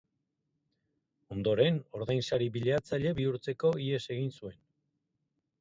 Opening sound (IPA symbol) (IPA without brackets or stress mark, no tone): o̞